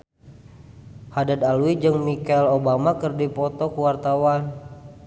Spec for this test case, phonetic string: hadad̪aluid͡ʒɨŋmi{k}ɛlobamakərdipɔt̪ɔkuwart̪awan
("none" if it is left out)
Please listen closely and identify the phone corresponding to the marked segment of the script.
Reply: k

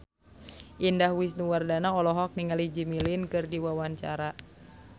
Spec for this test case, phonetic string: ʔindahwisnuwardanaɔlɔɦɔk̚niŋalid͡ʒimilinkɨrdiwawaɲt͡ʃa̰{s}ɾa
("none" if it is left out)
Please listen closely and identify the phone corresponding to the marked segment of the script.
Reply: none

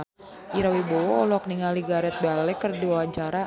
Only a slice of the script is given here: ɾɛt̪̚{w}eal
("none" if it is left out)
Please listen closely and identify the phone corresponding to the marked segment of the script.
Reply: b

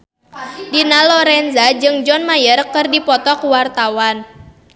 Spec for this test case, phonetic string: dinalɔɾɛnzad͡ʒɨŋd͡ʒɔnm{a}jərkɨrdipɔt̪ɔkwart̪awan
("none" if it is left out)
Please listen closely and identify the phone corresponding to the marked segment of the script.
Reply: a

